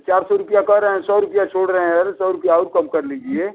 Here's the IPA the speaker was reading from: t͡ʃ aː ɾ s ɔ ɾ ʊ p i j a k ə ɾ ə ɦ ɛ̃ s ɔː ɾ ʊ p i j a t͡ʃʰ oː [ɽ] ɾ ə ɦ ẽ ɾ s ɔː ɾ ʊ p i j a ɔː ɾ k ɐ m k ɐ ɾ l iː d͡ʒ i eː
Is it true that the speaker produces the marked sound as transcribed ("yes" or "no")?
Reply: yes